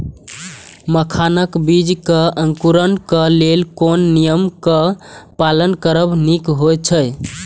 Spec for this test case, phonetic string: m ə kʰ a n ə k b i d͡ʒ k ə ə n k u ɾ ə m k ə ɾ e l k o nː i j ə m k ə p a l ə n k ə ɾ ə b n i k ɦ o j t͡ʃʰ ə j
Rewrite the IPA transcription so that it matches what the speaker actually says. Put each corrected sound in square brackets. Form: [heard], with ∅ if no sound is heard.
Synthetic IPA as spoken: m ə kʰ a n ə k b i d͡ʒ k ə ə [ŋ] k u ɾ ə [n] k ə [l] e l k o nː i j ə m k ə p a l ə n k ə ɾ ə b n i k ɦ o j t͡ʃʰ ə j